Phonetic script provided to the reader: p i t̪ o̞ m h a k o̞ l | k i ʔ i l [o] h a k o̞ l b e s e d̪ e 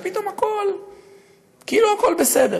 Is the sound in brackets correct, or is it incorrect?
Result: incorrect